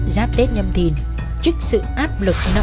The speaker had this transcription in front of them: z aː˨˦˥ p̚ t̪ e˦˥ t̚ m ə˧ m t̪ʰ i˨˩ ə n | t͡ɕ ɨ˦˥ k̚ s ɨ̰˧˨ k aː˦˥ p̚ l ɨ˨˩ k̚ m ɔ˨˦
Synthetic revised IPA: z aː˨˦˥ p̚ t̪ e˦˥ t̚ ɲ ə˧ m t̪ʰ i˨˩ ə n | t͡ɕ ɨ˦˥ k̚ s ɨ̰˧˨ ʔ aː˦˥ p̚ l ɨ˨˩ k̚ n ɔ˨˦